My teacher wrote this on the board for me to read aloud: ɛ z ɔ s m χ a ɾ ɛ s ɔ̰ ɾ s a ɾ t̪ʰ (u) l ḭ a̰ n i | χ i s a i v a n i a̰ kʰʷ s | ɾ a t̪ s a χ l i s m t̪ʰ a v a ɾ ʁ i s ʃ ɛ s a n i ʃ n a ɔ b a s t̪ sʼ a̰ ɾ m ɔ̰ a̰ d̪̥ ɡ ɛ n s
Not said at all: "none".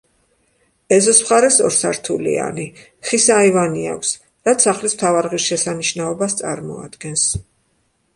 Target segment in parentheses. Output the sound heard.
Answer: u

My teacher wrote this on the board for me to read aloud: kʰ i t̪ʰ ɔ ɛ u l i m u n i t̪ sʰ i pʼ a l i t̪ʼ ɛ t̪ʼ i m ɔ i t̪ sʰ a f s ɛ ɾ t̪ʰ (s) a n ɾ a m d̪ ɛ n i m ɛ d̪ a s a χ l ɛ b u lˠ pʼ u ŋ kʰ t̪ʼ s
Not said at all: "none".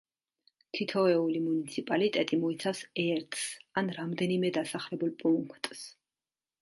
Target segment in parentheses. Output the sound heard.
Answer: s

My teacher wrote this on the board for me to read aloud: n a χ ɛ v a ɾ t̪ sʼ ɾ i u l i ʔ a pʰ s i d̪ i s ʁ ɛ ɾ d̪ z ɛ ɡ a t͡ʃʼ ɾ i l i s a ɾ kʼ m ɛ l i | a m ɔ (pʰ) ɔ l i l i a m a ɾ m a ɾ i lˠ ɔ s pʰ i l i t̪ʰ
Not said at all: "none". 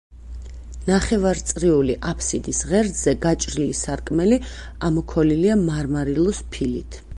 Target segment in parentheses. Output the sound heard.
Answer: kʰ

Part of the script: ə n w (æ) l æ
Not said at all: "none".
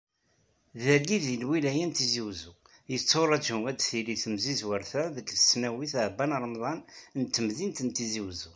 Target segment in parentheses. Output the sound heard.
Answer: i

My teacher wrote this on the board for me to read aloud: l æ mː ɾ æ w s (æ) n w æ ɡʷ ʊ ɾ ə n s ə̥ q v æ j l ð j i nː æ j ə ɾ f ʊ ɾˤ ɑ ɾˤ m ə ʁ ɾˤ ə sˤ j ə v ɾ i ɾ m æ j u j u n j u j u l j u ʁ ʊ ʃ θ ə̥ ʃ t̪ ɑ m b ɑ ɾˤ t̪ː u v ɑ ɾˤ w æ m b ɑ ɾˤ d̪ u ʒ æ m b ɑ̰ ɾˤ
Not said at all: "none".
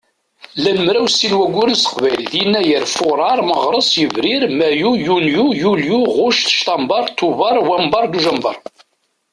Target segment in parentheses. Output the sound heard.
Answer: i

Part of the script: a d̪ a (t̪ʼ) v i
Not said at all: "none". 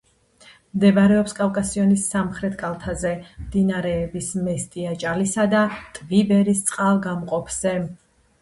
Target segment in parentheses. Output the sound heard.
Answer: t̪ʼ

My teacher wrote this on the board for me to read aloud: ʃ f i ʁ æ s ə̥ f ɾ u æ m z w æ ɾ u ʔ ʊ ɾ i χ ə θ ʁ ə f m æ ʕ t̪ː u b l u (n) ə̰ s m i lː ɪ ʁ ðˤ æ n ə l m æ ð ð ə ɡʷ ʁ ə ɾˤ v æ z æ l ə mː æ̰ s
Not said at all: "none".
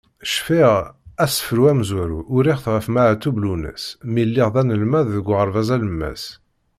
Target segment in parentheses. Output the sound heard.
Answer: n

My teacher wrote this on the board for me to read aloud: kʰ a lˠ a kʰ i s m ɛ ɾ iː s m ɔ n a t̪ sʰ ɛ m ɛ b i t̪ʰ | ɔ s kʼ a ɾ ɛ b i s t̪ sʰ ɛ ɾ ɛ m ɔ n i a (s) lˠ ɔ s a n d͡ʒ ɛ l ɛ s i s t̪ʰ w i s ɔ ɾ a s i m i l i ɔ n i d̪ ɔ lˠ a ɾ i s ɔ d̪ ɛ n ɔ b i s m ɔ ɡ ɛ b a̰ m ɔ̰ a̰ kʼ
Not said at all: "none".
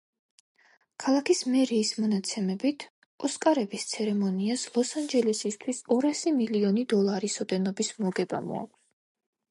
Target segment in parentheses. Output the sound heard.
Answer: s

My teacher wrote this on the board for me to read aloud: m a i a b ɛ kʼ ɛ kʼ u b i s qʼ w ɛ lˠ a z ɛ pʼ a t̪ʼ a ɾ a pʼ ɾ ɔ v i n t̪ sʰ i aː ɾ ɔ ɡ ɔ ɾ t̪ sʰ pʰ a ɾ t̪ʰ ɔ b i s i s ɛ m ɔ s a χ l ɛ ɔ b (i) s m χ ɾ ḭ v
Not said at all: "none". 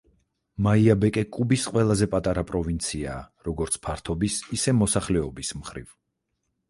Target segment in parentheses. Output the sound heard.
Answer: i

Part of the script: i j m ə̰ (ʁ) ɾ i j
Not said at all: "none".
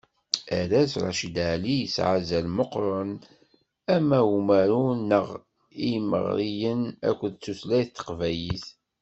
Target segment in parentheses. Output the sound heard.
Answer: ʁ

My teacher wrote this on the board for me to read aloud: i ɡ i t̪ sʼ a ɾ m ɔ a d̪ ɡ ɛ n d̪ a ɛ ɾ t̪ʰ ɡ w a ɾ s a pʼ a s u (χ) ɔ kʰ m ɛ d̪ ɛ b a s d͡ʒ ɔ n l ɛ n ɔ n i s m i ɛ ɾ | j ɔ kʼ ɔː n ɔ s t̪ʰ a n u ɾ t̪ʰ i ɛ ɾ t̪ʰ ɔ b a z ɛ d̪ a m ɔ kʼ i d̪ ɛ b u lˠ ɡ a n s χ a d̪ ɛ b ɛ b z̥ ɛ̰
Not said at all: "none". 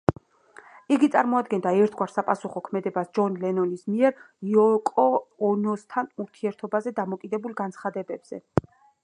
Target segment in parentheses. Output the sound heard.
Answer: χ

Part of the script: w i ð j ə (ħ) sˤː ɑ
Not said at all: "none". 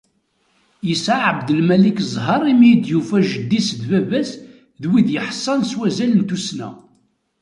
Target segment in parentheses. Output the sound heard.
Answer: ħ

